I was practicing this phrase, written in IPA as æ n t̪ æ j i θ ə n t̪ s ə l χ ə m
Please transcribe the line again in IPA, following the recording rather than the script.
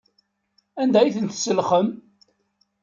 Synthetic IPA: æ n d̪ æ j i θ ə n t̪ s ə l χ ə m